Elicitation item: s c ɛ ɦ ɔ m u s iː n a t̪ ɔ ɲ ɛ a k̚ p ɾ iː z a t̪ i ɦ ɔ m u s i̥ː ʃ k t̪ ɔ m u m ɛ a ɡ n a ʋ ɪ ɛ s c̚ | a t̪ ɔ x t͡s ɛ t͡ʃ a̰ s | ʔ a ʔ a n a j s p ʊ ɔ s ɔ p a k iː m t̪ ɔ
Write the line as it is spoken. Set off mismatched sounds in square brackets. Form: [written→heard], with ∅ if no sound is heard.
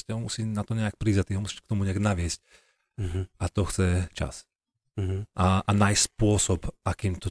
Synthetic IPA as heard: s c ɛ ɦ ɔ m u s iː n a t̪ ɔ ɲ ɛ a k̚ p ɾ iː z a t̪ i ɦ ɔ m u s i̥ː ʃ k t̪ ɔ m u [m→ɲ] ɛ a ɡ n a ʋ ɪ ɛ s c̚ | a t̪ ɔ x t͡s ɛ t͡ʃ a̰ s | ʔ a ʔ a n a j s p ʊ ɔ s ɔ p a k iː m t̪ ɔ